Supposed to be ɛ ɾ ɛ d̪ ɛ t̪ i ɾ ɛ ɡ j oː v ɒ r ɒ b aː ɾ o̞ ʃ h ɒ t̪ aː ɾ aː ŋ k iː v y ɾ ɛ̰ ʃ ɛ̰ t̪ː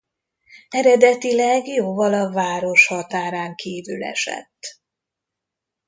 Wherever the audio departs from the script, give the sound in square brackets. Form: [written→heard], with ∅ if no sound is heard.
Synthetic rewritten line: ɛ ɾ ɛ d̪ ɛ t̪ i [ɾ→l] ɛ ɡ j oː v ɒ [r→l] ɒ [b→v] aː ɾ o̞ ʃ h ɒ t̪ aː ɾ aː ŋ k iː v y [ɾ→l] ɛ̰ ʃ ɛ̰ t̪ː